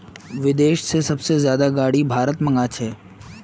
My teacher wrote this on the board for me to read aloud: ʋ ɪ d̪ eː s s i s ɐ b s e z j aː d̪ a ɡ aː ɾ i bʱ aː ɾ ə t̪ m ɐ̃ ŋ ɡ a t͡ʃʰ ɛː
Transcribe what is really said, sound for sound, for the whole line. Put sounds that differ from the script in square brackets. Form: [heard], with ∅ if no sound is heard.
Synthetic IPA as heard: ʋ ɪ d̪ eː [ʃ] s [e] s ɐ b s e z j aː d̪ a ɡ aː [ɽ] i bʱ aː ɾ ə t̪ m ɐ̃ ŋ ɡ a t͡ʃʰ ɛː